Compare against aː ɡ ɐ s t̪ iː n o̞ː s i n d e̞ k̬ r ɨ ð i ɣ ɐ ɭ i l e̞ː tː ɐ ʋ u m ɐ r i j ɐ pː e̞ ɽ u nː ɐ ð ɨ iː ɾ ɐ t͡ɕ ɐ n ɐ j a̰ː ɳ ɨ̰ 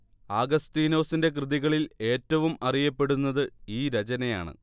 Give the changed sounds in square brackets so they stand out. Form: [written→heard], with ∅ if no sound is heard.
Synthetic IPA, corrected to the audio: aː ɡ ɐ s t̪ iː n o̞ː s i n d e̞ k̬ r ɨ ð i ɣ ɐ ɭ i l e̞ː tː ɐ ʋ u m ɐ r i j ɐ pː e̞ ɽ u nː ɐ ð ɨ iː ɾ ɐ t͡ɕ ɐ n ɐ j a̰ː ɳ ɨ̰